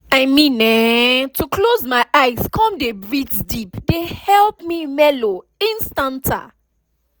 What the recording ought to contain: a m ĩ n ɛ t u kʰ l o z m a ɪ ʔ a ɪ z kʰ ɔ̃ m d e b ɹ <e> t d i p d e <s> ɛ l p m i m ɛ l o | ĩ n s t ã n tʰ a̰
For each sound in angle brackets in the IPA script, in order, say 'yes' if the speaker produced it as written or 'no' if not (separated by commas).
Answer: no, no